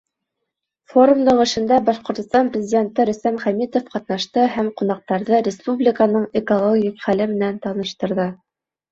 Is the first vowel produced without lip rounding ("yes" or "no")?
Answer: no